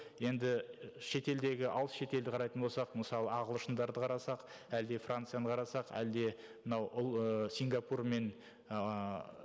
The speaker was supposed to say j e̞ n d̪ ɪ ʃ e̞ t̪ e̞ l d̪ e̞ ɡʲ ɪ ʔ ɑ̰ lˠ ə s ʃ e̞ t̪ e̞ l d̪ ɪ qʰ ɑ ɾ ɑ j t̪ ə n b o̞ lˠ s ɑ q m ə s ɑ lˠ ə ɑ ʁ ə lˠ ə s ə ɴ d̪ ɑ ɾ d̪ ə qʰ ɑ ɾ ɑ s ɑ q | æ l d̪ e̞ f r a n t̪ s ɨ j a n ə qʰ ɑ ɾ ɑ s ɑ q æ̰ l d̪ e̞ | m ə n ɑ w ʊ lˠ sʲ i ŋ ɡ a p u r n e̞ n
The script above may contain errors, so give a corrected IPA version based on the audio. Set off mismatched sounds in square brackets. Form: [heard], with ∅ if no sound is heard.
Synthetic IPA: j e̞ n d̪ ɪ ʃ e̞ t̪ e̞ l d̪ e̞ ɡʲ ɪ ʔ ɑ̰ lˠ ə s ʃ e̞ t̪ e̞ l d̪ ɪ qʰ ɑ ɾ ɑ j t̪ ə n b o̞ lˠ s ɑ q m ə s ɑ lˠ ə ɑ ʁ ə lˠ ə [ʃ] ə [n] d̪ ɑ ɾ d̪ ə qʰ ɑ ɾ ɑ s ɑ q | æ l d̪ e̞ f r a n t̪ s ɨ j a n ə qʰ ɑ ɾ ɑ s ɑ q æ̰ l d̪ e̞ | m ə n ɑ w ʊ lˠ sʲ i ŋ ɡ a p u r [m] e̞ n